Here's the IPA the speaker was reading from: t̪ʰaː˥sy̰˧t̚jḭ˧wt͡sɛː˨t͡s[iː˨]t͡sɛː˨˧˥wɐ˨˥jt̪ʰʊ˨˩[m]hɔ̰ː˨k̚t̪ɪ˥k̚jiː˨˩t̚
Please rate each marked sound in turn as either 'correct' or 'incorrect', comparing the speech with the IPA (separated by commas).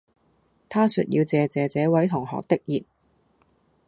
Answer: incorrect, incorrect